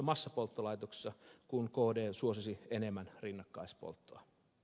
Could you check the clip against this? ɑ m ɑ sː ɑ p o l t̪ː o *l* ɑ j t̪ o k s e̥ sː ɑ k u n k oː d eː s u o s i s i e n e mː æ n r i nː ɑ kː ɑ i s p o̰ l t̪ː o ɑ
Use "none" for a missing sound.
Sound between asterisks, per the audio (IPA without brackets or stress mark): l